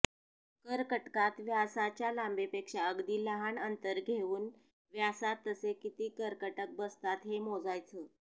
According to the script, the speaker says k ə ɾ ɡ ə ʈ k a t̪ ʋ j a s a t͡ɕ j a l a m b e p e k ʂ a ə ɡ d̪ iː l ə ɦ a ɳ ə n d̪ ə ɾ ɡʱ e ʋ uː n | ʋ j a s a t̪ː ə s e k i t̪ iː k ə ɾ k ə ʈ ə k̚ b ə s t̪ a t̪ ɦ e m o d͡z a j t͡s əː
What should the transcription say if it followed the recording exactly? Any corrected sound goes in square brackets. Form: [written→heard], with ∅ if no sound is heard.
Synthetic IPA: k ə ɾ [ɡ→k] ə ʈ k a t̪ ʋ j a s a t͡ɕ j a l a m b e p e k ʂ a ə ɡ d̪ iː l ə ɦ a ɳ ə n [d̪→t̪] ə ɾ ɡʱ e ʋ uː n | ʋ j a s a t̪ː ə s e k i t̪ iː k ə ɾ k ə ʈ ə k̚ b ə s t̪ a t̪ ɦ e m o d͡z a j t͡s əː